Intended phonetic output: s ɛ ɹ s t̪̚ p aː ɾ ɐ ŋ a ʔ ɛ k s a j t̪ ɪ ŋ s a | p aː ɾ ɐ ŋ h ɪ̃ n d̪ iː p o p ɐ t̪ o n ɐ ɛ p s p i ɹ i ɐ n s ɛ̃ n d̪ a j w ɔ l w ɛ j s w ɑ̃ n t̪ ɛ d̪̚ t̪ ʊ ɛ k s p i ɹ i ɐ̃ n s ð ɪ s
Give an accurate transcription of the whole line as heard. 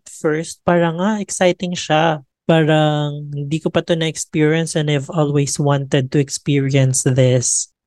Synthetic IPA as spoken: f ɛ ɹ s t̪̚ p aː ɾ ɐ ŋ a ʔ ɛ k s a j t̪ ɪ ŋ ʃ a | p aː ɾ ɐ ŋ h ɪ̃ n d̪ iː k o p ɐ t̪ o n ɐ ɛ k s p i ɹ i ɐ n s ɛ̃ n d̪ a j v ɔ l w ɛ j s w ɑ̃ n t̪ ɛ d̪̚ t̪ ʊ ɛ k s p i ɹ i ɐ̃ n s ð ɪ s